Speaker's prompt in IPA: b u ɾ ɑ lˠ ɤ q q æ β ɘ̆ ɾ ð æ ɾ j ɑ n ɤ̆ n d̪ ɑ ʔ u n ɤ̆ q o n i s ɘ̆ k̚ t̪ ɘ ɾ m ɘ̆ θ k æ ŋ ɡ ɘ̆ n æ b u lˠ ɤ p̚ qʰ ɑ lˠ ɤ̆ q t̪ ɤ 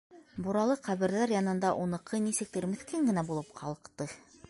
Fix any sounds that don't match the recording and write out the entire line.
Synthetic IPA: b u ɾ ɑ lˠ ɤ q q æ β ɘ̆ ɾ ð æ ɾ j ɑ n ɤ̆ n d̪ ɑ ʔ u n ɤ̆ q ɤ n i s ɘ̆ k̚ t̪ ɘ ɾ m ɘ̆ θ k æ ŋ ɡ ɘ̆ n æ b u lˠ ɤ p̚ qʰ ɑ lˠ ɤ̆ q t̪ ɤ